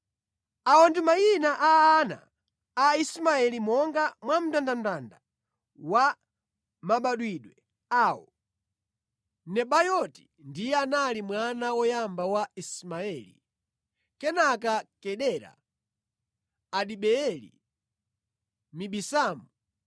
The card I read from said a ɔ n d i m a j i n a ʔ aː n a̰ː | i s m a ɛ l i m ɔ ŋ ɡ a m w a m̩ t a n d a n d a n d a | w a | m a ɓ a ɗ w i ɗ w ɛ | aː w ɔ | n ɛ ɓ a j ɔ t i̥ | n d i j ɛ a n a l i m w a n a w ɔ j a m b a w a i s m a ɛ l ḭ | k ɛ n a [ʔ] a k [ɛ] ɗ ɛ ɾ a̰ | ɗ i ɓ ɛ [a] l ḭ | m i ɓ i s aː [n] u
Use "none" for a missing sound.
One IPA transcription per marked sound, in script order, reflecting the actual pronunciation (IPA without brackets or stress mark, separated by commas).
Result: k, ɛ, ɛ, m